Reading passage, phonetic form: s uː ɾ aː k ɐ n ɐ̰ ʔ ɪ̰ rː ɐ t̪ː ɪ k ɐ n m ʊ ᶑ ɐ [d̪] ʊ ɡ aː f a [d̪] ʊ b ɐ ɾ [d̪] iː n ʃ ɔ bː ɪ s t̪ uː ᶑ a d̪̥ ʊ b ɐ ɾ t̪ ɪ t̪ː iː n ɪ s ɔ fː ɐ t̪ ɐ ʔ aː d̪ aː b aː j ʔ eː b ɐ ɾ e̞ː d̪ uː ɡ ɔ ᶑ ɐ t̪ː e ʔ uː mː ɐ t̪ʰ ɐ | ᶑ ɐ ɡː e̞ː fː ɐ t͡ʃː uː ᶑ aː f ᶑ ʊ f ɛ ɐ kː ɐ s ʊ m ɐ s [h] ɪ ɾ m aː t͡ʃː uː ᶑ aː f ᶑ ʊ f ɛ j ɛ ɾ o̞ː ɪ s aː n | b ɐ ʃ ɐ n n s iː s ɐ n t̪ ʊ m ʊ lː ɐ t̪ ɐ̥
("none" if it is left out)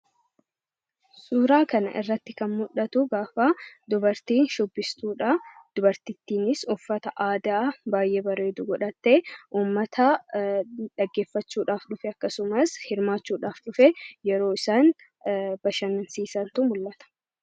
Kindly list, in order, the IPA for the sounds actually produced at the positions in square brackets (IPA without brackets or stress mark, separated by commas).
t̪, d̪, t̪, h